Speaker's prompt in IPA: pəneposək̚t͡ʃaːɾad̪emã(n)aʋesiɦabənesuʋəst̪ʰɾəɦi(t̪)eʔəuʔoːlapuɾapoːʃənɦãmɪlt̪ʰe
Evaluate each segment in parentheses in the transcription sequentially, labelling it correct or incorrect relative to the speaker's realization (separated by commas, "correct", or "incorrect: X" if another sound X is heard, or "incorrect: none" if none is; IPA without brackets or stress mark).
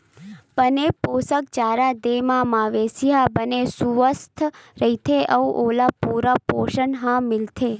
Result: incorrect: m, incorrect: t̪ʰ